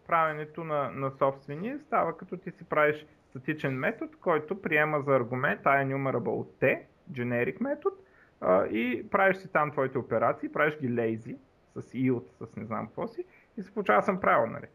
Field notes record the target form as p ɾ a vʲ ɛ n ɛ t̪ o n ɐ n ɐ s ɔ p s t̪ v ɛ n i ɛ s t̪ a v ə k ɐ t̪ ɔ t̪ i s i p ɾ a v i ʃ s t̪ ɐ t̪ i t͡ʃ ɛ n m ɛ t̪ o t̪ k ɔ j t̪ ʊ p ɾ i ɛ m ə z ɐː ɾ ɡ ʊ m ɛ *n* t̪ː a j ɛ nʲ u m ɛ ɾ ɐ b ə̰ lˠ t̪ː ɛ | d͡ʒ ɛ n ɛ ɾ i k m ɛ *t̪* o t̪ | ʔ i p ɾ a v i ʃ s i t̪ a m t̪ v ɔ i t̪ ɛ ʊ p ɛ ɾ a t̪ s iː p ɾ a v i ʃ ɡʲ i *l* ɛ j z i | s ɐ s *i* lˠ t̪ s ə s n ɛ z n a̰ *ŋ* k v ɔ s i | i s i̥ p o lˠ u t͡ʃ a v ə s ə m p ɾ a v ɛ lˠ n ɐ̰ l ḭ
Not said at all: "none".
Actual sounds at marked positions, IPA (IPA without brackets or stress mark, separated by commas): n, t̪, l, i, m